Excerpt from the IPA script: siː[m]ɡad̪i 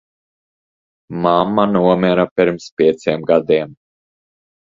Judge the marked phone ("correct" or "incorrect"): correct